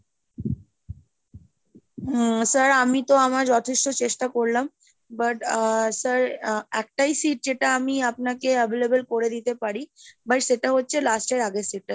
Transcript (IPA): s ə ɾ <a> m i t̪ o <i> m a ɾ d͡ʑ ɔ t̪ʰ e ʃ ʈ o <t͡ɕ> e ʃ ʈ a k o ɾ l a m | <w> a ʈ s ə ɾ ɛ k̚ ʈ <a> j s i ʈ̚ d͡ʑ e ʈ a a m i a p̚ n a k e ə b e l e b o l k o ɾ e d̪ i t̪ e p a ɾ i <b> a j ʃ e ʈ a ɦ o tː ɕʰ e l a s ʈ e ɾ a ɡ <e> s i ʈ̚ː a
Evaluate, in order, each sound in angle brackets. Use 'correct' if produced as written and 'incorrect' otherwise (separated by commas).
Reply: correct, incorrect, correct, incorrect, correct, correct, correct